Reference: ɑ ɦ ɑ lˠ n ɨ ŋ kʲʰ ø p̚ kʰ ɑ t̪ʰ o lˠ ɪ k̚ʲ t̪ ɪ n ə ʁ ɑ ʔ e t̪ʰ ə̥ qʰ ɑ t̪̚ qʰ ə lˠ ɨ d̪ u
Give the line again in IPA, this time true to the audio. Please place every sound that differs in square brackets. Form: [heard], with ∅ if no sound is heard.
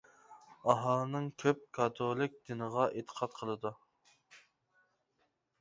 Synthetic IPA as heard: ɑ ɦ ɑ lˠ n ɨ ŋ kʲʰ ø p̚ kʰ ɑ t̪ʰ o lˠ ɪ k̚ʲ [d̪] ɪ n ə ʁ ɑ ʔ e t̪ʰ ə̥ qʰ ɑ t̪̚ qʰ ə lˠ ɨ d̪ u

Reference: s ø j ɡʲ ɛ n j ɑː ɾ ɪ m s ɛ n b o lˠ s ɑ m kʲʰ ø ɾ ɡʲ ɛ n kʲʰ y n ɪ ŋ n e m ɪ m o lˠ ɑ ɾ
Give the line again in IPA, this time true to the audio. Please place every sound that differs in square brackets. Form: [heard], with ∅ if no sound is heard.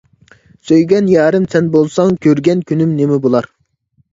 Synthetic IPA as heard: s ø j ɡʲ ɛ n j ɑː ɾ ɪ m s ɛ n b o lˠ s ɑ [ŋ] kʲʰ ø ɾ ɡʲ ɛ n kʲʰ y n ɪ [m] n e m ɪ [b] o lˠ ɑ ɾ

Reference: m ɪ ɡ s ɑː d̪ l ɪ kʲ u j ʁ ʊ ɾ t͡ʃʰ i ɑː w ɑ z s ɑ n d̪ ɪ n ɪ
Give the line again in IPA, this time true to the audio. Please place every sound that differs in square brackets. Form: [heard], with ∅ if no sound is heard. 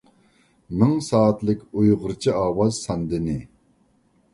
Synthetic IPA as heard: m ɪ [ŋ] s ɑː [t̪] l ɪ kʲ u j ʁ ʊ ɾ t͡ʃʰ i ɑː w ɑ z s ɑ n d̪ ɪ n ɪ

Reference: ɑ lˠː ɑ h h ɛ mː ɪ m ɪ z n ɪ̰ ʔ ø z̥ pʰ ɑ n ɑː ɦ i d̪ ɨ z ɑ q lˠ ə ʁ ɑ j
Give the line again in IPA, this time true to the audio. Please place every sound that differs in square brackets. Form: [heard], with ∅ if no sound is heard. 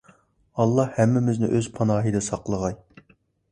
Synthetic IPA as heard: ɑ lˠː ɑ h h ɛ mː ɪ m ɪ z n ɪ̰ ʔ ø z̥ pʰ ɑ n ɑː ɦ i d̪ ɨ [s] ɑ q lˠ ə ʁ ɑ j

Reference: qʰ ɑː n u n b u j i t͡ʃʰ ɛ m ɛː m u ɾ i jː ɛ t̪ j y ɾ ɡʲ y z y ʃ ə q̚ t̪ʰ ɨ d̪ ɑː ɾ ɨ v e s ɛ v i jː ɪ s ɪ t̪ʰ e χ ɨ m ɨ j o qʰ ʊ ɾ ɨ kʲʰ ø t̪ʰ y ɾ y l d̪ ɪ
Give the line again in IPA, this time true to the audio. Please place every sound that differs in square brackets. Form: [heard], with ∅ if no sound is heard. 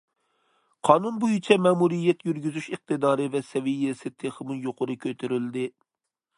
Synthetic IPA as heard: qʰ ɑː n u n b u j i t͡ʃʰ ɛ m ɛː m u ɾ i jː ɛ t̪ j y ɾ ɡʲ y z y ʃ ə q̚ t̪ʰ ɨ d̪ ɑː ɾ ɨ v [ɛ] s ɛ v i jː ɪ s ɪ t̪ʰ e χ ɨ m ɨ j o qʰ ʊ ɾ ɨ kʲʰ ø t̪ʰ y ɾ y l d̪ ɪ

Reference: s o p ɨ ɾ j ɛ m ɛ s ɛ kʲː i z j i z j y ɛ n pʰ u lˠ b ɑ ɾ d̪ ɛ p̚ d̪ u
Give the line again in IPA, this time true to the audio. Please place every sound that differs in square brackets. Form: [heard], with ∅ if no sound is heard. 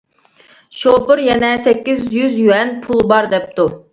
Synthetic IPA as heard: [ʃ] o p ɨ ɾ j ɛ [n] ɛ s ɛ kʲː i z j [y] z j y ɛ n pʰ u lˠ b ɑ ɾ d̪ ɛ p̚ [t̪] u

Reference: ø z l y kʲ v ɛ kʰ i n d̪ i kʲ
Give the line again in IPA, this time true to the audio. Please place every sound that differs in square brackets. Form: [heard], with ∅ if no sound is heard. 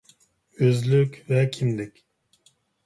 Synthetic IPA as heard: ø z l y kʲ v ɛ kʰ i [m] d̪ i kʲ

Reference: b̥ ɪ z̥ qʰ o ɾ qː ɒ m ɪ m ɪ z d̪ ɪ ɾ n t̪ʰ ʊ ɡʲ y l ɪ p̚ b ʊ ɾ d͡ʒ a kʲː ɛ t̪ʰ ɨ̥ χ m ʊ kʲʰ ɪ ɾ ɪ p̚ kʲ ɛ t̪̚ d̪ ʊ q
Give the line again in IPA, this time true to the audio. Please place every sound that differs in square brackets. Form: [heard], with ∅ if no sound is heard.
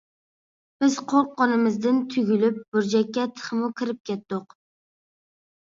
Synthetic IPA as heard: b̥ ɪ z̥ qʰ o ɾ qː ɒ [n] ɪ m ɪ z d̪ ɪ [∅] n t̪ʰ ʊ ɡʲ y l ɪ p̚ b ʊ ɾ d͡ʒ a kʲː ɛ t̪ʰ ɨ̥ χ m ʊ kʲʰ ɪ ɾ ɪ p̚ kʲ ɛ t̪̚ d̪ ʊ q

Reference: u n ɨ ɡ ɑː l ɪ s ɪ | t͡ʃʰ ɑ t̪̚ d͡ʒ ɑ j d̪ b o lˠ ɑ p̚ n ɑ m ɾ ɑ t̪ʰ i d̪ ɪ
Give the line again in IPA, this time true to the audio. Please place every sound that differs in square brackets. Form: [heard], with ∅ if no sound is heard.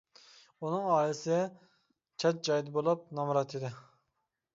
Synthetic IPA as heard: u n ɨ [ŋ] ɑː l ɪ s ɪ | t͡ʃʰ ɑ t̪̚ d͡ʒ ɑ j d̪ b o lˠ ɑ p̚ n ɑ m ɾ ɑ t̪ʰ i d̪ ɪ

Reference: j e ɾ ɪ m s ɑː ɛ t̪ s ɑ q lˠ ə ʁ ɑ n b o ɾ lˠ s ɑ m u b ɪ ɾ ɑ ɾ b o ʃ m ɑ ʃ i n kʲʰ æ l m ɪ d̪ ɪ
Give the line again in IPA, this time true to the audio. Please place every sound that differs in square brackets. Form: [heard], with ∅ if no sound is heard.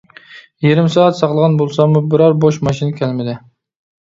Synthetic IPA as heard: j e ɾ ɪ m s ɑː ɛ t̪ s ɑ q lˠ ə ʁ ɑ n b o [∅] lˠ s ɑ m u b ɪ ɾ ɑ ɾ b o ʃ m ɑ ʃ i n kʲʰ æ l m ɪ d̪ ɪ

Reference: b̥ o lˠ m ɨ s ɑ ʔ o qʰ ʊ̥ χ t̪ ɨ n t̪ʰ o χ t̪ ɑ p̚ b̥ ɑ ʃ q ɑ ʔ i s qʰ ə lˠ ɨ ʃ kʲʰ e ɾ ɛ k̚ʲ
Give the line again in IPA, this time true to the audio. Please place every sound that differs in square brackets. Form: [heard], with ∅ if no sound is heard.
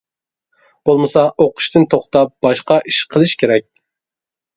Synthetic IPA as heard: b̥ o lˠ m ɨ s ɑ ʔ o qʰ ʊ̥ [ʃ] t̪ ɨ n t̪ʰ o χ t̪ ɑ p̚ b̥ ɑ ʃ q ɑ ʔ i [ʃ] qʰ ə lˠ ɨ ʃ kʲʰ e ɾ ɛ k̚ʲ

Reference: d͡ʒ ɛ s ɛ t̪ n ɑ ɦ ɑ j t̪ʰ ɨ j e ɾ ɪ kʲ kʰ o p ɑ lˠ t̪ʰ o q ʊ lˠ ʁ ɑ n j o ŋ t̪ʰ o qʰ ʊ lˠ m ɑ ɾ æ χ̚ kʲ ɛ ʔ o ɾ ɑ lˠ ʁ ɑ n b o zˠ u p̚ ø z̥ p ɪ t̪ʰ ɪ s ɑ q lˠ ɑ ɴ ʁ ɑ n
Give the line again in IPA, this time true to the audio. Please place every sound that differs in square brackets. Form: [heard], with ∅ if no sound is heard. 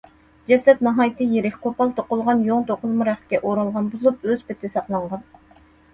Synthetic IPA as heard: d͡ʒ ɛ s ɛ t̪ n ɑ ɦ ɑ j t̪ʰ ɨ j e ɾ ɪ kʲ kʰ o p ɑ lˠ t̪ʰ o q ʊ lˠ ʁ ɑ n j o ŋ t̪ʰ o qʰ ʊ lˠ m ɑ ɾ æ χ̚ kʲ ɛ ʔ o ɾ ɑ lˠ ʁ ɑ n b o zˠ u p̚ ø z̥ p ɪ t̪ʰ ɪ s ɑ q lˠ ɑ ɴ ʁ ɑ n

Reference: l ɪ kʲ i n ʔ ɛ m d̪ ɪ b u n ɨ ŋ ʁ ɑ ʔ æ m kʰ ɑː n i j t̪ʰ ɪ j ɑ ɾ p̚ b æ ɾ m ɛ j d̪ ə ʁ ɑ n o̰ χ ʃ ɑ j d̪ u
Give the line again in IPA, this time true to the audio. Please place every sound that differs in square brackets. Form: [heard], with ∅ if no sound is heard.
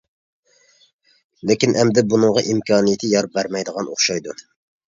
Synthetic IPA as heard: l ɪ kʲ i n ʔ ɛ m d̪ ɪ b u n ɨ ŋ ʁ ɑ ʔ [i] m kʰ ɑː n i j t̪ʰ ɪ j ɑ ɾ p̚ b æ ɾ m ɛ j d̪ ə ʁ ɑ n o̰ χ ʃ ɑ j d̪ u

